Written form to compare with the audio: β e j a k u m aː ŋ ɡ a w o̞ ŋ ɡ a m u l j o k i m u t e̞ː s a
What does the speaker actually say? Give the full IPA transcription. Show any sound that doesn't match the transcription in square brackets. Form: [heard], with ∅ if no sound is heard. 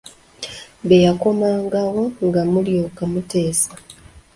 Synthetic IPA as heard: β e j a k [o] m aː ŋ ɡ a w o̞ ŋ ɡ a m u l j o k [a] m u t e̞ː s a